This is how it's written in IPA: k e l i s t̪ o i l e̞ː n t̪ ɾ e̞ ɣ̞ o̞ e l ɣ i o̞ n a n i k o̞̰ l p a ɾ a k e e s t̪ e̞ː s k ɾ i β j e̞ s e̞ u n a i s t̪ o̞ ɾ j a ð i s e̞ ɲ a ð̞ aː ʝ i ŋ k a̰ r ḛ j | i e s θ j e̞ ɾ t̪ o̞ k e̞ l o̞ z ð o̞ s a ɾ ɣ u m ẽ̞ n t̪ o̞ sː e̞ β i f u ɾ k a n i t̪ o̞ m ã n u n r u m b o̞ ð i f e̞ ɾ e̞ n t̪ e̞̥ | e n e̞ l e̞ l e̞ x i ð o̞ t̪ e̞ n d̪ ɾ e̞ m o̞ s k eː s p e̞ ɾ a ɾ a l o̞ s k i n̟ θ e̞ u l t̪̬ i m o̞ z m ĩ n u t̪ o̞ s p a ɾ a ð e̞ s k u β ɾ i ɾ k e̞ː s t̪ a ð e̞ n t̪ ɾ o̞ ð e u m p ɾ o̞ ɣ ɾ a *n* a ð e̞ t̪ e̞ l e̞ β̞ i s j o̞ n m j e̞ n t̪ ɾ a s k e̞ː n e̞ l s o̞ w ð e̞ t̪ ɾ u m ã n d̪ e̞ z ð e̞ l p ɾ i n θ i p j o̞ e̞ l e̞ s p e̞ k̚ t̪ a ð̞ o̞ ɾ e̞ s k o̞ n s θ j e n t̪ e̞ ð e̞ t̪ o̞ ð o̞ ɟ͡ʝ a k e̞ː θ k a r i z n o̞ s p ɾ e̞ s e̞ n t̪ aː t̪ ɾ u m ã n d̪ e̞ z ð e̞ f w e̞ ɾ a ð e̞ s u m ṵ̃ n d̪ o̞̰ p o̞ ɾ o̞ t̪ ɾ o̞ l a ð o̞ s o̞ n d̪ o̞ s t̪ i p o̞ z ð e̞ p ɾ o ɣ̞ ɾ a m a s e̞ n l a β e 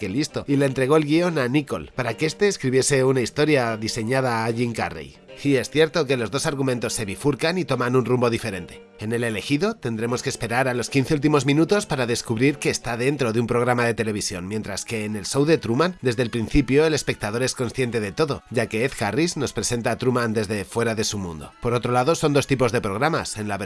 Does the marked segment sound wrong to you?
yes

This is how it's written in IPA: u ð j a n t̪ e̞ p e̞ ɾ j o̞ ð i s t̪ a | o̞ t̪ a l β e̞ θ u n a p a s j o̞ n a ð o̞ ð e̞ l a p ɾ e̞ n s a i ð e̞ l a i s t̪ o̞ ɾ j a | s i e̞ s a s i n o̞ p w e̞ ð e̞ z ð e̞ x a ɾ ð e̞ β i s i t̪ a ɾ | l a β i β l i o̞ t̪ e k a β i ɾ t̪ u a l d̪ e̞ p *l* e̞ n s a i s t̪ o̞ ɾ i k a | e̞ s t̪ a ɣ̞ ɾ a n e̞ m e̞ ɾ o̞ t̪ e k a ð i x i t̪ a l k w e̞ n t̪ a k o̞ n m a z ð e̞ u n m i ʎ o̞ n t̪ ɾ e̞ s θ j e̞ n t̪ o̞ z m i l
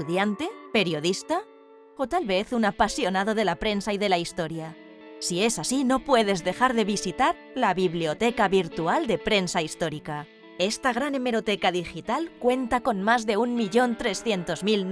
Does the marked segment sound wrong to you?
yes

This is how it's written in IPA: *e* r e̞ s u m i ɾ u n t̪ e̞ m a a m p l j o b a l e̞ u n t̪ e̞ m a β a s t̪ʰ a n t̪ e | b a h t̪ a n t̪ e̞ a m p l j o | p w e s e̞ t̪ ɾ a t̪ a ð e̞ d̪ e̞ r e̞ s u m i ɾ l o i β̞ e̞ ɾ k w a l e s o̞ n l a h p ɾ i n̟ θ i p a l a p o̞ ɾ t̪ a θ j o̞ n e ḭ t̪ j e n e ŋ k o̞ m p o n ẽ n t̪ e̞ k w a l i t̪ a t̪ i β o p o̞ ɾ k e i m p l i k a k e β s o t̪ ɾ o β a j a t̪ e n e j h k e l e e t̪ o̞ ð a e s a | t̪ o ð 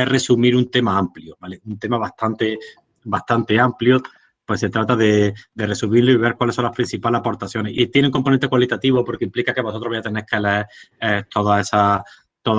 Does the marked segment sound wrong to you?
no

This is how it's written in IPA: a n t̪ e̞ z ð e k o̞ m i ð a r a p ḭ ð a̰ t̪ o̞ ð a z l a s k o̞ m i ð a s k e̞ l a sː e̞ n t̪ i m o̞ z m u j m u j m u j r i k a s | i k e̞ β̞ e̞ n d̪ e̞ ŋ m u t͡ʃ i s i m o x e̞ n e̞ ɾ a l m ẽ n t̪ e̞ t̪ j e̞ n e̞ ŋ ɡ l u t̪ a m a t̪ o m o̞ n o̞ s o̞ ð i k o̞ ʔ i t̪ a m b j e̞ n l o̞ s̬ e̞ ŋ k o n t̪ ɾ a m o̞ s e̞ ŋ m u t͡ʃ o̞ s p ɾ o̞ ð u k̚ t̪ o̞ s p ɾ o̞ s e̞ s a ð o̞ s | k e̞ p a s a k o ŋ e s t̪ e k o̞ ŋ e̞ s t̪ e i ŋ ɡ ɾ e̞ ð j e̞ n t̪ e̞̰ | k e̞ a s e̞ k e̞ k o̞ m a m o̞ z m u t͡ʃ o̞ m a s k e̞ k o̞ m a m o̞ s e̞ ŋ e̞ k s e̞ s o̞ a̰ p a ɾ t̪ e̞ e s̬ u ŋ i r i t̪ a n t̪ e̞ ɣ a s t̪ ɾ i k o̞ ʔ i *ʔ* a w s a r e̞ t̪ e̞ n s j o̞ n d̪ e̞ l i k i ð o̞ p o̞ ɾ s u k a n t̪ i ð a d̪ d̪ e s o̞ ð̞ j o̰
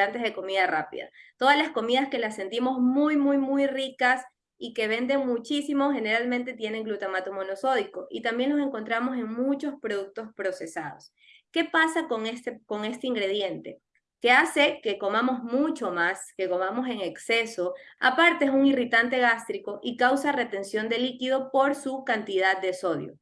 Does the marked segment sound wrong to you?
yes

